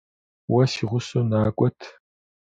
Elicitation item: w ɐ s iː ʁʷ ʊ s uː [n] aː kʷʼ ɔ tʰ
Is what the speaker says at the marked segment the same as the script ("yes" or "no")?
yes